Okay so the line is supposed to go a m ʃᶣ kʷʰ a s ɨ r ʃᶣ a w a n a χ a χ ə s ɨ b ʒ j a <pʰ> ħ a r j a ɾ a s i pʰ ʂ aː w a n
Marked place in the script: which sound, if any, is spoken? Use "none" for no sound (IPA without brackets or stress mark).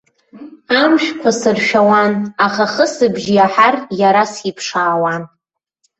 none